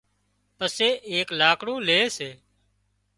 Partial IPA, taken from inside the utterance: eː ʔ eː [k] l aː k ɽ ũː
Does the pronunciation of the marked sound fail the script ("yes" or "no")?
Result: no